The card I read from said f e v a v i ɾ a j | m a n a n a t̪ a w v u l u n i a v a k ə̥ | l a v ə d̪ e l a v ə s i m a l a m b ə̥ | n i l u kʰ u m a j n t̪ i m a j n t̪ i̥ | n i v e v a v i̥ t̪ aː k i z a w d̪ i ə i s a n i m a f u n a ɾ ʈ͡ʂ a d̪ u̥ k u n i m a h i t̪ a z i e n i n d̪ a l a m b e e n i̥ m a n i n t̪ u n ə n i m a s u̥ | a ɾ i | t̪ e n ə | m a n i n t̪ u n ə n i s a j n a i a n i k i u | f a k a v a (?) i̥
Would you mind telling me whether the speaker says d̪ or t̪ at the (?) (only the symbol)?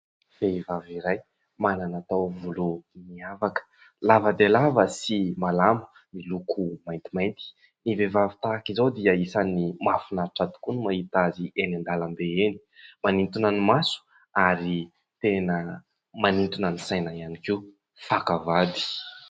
d̪